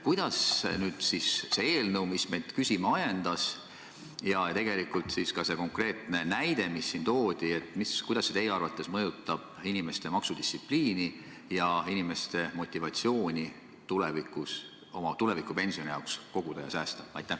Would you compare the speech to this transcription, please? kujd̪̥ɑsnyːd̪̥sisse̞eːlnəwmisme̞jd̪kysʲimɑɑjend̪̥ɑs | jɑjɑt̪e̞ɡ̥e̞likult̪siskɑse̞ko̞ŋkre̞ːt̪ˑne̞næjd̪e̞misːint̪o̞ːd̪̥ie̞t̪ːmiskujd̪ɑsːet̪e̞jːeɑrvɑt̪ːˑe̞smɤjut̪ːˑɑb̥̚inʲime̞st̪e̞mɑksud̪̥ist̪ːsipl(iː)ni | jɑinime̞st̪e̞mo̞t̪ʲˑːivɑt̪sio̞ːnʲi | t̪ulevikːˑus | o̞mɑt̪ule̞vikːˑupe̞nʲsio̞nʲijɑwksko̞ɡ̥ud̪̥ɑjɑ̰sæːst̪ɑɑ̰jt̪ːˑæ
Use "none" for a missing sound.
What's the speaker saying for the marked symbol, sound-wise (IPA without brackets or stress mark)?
iː